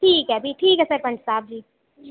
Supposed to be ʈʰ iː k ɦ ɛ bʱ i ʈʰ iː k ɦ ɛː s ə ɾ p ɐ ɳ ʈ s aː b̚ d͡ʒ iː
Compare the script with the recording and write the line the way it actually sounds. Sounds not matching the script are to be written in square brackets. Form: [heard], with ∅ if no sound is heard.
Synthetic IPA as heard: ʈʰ iː k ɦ ɛ bʱ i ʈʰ iː k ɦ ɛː s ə ɾ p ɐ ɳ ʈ s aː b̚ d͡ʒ iː

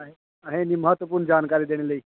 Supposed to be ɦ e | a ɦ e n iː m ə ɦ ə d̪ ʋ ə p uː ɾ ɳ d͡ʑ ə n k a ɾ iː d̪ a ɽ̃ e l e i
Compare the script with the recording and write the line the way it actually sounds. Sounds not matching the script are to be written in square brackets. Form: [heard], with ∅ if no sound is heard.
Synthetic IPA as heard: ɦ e | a ɦ e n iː m ə ɦ ə [t̪] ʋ ə p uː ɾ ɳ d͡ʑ [a] n k a ɾ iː d̪ [e] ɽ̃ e l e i

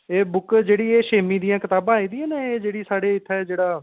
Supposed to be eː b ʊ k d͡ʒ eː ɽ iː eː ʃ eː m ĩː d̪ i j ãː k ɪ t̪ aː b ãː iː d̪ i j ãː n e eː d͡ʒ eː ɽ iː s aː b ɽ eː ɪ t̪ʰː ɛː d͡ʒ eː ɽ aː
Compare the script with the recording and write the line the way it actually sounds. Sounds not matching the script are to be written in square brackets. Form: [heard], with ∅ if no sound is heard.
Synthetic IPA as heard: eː b ʊ k d͡ʒ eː ɽ iː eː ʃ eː m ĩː d̪ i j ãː k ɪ t̪ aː b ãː iː d̪ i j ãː n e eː d͡ʒ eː ɽ iː s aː [∅] ɽ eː ɪ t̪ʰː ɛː d͡ʒ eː ɽ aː

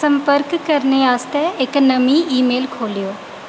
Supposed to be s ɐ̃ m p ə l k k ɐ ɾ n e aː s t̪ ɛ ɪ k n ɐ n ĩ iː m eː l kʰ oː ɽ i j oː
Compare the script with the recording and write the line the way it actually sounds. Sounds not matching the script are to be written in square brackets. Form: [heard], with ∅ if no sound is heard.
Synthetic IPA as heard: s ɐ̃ m p ə [ɾ] k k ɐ ɾ n e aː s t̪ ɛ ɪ k n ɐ [m] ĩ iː m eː l kʰ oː [l] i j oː

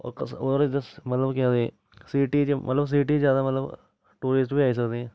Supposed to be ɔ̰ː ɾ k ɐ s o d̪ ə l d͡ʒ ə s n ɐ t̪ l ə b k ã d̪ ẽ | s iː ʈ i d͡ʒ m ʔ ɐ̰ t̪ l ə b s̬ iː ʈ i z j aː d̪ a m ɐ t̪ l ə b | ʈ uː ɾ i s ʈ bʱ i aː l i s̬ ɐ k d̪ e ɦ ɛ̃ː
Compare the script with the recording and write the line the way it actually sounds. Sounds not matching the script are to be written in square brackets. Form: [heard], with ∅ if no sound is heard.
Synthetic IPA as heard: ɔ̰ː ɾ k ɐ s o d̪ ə [ɾ] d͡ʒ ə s [m] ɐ t̪ l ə b k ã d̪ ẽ | s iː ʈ i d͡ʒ m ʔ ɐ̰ t̪ l ə b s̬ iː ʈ i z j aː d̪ a m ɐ t̪ l ə b | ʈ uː ɾ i s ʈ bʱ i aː [∅] i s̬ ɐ k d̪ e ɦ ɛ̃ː

